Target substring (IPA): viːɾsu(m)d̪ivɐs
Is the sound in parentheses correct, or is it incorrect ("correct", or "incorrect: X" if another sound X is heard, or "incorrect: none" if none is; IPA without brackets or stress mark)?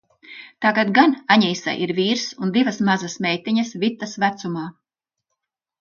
incorrect: n